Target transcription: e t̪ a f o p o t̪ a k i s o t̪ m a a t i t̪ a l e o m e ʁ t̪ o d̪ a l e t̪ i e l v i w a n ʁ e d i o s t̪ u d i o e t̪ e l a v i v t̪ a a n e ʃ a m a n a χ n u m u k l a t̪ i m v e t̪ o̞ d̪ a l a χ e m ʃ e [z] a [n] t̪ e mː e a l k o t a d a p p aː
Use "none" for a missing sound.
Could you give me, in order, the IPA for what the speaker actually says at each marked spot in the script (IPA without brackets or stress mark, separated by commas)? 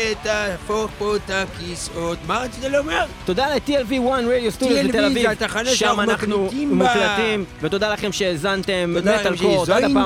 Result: z, n